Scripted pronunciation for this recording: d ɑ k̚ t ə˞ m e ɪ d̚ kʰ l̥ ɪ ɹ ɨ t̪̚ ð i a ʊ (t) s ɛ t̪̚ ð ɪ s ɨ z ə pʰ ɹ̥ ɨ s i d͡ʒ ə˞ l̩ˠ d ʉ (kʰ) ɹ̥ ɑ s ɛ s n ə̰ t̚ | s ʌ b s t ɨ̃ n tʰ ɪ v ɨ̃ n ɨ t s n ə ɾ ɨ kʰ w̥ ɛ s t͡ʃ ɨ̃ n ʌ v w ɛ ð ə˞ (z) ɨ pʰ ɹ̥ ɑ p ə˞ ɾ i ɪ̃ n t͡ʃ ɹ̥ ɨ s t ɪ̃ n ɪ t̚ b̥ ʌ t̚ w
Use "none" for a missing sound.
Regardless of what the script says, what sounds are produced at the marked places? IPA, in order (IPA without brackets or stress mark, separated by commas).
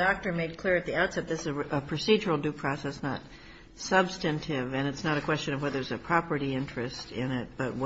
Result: t, pʰ, z